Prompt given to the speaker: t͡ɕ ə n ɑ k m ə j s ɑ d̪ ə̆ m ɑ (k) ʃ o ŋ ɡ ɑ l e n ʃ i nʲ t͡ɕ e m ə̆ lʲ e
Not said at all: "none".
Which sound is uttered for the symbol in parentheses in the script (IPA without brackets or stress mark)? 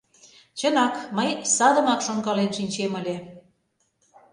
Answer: k